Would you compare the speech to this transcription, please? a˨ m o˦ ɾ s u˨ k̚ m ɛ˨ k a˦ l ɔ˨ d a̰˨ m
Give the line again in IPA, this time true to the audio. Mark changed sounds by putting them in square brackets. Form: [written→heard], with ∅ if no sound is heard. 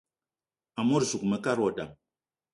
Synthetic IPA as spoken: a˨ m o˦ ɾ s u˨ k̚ m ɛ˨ k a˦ [l→ɾ] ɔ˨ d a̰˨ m